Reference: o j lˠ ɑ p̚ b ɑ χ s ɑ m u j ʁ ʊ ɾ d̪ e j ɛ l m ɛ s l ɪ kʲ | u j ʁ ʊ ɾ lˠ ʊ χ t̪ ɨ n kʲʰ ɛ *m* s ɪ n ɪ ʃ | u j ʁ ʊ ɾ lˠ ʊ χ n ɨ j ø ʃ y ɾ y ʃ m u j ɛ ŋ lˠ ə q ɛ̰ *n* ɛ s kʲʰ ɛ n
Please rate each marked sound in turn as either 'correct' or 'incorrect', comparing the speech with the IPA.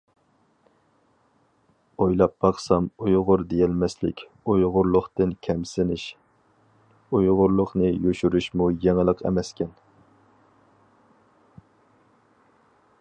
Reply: correct, incorrect

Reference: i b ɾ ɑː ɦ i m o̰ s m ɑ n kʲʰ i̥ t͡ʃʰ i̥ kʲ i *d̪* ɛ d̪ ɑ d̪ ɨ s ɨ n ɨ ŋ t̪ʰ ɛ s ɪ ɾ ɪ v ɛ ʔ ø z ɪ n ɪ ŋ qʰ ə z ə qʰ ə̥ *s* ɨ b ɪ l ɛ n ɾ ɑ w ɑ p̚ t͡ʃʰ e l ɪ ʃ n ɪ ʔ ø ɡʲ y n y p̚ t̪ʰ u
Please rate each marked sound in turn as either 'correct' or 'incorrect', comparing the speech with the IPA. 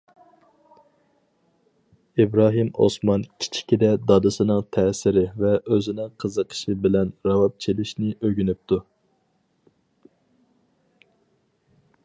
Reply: correct, incorrect

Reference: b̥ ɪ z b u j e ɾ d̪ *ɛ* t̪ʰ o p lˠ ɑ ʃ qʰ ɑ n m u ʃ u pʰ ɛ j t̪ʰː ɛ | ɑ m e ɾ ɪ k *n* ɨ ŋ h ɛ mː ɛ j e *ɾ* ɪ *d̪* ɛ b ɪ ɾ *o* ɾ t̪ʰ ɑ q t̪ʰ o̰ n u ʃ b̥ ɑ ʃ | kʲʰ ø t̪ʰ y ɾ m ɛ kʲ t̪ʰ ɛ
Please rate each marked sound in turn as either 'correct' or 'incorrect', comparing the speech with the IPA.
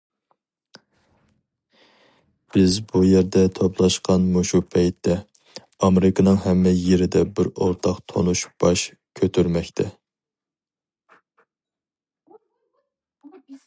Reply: correct, correct, correct, correct, correct

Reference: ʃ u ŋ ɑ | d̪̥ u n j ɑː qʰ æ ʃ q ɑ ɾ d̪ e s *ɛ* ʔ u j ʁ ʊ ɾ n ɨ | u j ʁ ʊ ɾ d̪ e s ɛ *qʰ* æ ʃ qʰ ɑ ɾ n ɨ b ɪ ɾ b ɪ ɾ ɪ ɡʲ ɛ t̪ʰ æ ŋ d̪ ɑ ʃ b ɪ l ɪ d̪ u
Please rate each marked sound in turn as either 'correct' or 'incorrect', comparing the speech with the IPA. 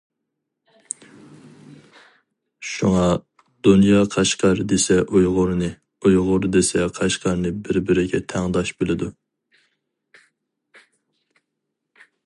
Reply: correct, correct

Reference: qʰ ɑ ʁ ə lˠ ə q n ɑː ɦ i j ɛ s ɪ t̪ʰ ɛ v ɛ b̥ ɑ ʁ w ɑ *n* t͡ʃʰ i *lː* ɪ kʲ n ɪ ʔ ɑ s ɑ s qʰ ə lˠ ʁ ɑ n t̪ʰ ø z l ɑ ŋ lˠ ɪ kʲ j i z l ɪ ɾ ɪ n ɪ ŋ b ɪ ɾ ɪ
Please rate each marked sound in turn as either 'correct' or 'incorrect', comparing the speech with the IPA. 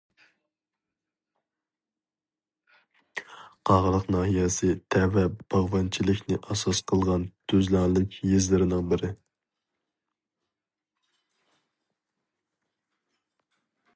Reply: correct, incorrect

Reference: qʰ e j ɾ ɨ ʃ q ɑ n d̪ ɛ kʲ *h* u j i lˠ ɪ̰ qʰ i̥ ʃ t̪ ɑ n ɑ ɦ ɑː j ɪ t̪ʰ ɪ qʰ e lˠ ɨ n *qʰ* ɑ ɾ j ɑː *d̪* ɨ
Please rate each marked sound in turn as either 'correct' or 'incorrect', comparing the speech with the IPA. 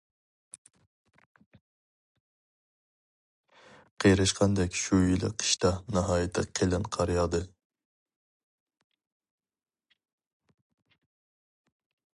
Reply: incorrect, correct, correct

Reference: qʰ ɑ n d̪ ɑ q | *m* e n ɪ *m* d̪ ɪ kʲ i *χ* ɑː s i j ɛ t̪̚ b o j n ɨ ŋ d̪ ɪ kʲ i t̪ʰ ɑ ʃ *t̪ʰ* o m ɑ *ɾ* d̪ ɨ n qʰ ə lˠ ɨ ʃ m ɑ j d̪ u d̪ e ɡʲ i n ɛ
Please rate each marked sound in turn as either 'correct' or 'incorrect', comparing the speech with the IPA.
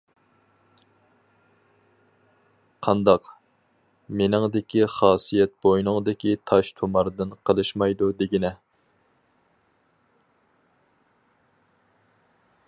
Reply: correct, incorrect, correct, correct, correct

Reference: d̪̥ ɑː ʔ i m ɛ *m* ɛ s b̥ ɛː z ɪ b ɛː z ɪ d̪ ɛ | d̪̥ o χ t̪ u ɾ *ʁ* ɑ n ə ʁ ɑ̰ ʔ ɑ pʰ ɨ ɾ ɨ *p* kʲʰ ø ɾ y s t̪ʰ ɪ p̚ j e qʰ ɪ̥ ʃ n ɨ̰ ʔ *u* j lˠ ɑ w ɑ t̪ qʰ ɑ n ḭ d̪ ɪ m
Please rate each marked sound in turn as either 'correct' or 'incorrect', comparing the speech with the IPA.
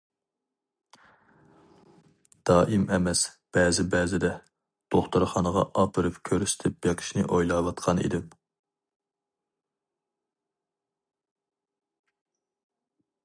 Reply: correct, incorrect, correct, incorrect

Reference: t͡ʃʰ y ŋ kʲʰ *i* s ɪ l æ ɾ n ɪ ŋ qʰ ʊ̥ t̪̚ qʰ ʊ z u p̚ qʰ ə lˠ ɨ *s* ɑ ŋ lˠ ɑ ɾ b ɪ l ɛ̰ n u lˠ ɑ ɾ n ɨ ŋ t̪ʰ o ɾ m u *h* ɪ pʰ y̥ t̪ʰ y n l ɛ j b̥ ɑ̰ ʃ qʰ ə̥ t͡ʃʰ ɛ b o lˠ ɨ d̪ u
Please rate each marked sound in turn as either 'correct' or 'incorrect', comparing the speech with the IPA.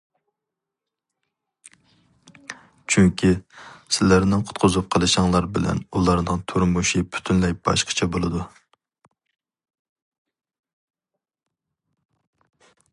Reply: correct, incorrect, incorrect

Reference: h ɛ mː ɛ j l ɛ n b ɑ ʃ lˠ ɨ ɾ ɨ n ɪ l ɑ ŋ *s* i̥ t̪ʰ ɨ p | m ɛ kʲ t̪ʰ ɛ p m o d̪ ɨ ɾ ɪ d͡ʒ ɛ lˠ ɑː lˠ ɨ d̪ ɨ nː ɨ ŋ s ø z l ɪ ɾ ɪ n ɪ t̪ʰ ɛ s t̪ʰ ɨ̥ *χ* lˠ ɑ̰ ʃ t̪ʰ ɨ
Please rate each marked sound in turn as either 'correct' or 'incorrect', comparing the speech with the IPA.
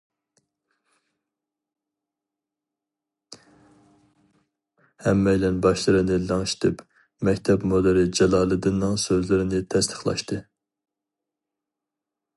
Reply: incorrect, correct

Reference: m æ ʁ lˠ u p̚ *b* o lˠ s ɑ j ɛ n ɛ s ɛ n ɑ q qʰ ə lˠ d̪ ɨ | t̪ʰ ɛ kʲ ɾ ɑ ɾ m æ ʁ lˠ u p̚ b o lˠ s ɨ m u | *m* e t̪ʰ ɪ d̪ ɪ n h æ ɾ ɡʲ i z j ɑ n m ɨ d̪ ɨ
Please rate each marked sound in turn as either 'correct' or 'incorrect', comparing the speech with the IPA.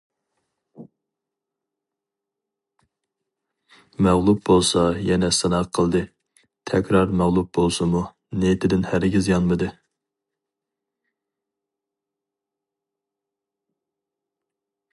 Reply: correct, incorrect

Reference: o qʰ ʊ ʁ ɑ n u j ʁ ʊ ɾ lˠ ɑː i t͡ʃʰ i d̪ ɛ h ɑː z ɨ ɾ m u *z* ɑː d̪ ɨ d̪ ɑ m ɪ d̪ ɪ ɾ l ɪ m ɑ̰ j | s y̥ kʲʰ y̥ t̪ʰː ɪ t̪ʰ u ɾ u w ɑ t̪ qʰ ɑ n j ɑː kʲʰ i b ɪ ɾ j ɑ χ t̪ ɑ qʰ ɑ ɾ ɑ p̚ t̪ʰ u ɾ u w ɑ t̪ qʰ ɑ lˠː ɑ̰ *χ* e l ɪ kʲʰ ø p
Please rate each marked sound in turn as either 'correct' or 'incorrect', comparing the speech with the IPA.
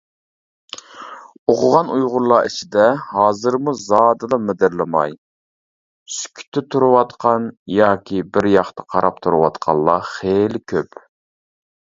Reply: correct, correct

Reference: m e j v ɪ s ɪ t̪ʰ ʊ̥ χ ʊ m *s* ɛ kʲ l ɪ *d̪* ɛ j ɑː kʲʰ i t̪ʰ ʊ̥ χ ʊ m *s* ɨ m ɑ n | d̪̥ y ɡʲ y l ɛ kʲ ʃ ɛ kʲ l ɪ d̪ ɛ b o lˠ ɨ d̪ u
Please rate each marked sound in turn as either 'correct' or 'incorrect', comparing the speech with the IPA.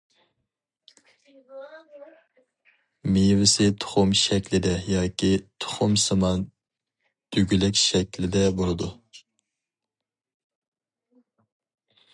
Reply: incorrect, correct, correct

